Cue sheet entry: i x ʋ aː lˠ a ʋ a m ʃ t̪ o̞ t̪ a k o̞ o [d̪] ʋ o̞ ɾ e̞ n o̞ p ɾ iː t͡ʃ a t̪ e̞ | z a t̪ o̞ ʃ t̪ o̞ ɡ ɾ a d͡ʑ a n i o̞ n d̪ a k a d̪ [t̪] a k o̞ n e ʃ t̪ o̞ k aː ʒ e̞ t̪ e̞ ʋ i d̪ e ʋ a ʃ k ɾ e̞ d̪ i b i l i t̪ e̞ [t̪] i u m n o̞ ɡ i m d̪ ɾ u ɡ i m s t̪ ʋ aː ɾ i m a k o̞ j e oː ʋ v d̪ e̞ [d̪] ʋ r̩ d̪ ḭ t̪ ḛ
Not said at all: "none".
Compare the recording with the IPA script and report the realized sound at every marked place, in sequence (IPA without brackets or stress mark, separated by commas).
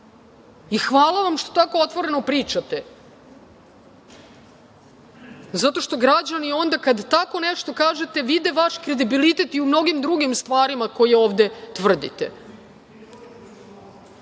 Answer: t̪, t̪, t̪, t̪